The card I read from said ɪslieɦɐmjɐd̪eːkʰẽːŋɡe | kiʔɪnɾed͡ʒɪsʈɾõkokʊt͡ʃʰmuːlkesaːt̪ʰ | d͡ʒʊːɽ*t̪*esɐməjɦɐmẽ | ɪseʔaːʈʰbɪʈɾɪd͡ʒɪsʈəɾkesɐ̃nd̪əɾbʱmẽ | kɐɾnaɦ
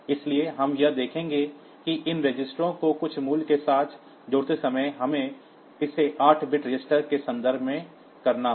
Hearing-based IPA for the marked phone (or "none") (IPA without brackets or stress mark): t̪